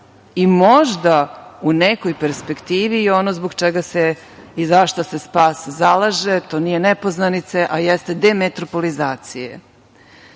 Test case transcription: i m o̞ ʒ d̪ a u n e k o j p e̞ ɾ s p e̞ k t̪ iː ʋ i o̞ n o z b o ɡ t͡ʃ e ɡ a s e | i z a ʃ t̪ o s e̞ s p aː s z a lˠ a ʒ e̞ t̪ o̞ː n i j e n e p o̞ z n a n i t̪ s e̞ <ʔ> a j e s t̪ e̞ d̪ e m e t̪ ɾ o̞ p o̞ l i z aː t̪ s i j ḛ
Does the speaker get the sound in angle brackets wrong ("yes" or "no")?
no